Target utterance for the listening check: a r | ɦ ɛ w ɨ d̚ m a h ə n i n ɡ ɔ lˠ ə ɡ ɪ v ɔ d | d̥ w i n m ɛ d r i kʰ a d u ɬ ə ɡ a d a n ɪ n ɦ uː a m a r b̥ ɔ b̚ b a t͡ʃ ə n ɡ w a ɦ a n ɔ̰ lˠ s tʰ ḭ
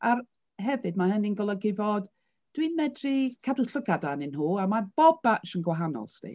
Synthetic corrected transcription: a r | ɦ ɛ v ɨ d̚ m a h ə n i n ɡ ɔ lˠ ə ɡ ɪ v ɔ d | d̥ w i n m ɛ d r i kʰ a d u ɬ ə ɡ a d a n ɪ n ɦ uː a m a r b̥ ɔ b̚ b a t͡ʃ ə n ɡ w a ɦ a n ɔ̰ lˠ s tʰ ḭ